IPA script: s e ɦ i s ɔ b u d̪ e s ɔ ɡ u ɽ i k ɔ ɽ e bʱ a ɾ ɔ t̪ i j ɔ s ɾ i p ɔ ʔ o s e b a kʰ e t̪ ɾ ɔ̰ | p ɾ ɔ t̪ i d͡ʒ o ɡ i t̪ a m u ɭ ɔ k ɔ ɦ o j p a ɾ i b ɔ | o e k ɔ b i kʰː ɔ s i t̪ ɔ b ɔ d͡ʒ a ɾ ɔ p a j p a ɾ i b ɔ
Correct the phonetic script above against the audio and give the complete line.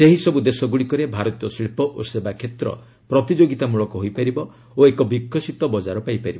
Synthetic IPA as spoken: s e ɦ i s ɔ b u d̪ e s ɔ ɡ u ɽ i k ɔ ɾ e bʱ a ɾ ɔ t̪ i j ɔ s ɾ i p ɔ ʔ o s e b a kʰ e t̪ ɾ ɔ̰ | p ɾ ɔ t̪ i d͡ʒ o ɡ i t̪ a m u ɭ ɔ k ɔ ɦ o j p a ɾ i b ɔ | o e k ɔ b i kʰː ɔ s i t̪ ɔ b ɔ d͡ʒ a ɾ ɔ p a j p a ɾ i b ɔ